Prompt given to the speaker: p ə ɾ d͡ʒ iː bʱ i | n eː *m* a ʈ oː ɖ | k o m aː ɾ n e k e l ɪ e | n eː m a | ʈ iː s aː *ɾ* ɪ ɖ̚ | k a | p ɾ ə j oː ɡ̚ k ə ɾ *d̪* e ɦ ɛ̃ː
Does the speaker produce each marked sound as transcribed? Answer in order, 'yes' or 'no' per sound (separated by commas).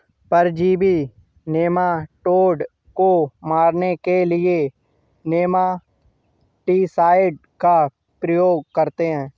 yes, no, no